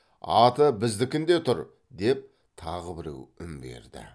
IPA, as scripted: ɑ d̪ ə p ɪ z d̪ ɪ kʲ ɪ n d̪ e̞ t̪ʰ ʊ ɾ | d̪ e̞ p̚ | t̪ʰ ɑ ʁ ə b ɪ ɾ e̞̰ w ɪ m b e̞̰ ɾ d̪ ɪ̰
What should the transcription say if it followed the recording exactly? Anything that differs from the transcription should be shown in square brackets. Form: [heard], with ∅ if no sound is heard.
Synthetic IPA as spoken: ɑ [t̪] ə [b] ɪ z d̪ ɪ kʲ ɪ n d̪ e̞ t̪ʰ ʊ ɾ | d̪ e̞ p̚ | t̪ʰ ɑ ʁ ə b ɪ ɾ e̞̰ w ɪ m b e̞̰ ɾ d̪ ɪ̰

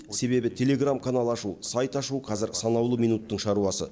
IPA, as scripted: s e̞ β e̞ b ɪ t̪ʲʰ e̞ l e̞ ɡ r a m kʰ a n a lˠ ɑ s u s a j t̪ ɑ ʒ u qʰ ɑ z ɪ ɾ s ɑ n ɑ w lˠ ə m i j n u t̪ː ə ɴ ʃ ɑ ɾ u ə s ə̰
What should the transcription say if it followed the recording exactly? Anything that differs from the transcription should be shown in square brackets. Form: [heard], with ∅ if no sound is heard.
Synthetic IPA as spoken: s e̞ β e̞ b ɪ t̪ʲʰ e̞ l e̞ ɡ r a m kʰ a n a lˠ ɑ [ʃ] u s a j t̪ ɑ [ʃ] u qʰ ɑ z ɪ ɾ s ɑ n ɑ w lˠ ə m i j n u t̪ː ə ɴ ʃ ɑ ɾ u [ɑ] s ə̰

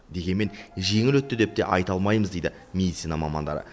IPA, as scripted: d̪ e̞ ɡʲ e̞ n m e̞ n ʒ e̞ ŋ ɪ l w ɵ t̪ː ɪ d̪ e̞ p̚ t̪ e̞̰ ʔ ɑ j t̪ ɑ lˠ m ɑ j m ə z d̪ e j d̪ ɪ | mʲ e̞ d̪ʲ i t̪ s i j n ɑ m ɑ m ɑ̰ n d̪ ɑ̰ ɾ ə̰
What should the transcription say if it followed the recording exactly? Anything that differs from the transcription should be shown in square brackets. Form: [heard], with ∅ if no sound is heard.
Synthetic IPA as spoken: d̪ e̞ ɡʲ e̞ n m e̞ n ʒ e̞ ŋ ɪ l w ɵ t̪ː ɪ d̪ e̞ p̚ t̪ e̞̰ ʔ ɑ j t̪ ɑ lˠ m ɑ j m ə z d̪ e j d̪ ɪ | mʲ e̞ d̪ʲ i t̪ s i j n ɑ m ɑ m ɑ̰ n d̪ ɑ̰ ɾ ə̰

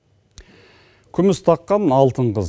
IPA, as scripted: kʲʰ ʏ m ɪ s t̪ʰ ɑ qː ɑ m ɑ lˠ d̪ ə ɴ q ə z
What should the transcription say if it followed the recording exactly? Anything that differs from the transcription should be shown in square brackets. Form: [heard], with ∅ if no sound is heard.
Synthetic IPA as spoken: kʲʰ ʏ m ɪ s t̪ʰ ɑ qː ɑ [n] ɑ lˠ [t̪] ə ɴ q ə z

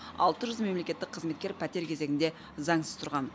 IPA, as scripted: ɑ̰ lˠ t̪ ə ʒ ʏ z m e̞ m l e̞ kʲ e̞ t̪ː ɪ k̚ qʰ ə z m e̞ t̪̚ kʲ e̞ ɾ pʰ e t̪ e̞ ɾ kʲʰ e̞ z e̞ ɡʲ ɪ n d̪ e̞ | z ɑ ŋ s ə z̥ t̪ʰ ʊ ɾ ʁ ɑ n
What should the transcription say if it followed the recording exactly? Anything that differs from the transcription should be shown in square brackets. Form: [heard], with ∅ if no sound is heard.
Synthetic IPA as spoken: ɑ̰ lˠ t̪ ə ʒ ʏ z m e̞ m l e̞ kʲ e̞ t̪ː ɪ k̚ qʰ ə z m e̞ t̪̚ kʲ e̞ ɾ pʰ [æ] t̪ e̞ ɾ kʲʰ e̞ z e̞ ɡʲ ɪ n d̪ e̞ | z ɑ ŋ s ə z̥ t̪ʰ ʊ ɾ ʁ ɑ n

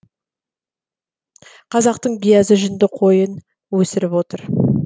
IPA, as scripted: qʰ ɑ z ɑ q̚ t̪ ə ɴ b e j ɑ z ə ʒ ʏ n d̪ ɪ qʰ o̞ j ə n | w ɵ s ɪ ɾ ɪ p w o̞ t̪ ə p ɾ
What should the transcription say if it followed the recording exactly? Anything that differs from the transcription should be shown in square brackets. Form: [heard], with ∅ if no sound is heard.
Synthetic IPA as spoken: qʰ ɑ z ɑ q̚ t̪ ə ɴ b [i] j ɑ z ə ʒ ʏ n d̪ ɪ qʰ o̞ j ə n | w ɵ s ɪ ɾ ɪ p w o̞ t̪ ə [∅] ɾ

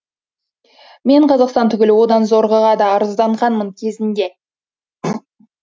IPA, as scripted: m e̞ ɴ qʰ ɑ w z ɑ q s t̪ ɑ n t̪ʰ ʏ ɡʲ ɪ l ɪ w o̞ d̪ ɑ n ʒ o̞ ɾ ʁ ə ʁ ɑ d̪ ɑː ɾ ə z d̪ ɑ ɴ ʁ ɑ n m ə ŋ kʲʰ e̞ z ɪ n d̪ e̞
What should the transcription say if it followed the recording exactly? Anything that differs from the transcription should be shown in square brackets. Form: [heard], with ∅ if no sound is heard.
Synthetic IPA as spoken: m e̞ ɴ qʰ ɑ [∅] z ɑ q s t̪ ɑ n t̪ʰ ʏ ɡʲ ɪ l ɪ w o̞ d̪ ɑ n [z] o̞ ɾ ʁ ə ʁ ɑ d̪ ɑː ɾ ə z d̪ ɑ ɴ ʁ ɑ n m ə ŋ kʲʰ e̞ z ɪ n d̪ e̞

